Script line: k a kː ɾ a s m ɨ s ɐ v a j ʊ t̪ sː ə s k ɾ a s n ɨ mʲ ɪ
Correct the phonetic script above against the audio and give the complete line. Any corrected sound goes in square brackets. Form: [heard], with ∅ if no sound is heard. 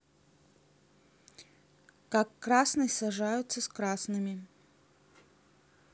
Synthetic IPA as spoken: k a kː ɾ a s [n] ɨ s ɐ [ʐ] a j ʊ t̪ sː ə s k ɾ a s n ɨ mʲ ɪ